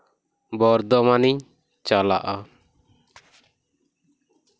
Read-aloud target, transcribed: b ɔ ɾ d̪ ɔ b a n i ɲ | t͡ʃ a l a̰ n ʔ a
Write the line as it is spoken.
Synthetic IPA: b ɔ ɾ d̪ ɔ m a n i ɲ | t͡ʃ a l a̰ ʔ a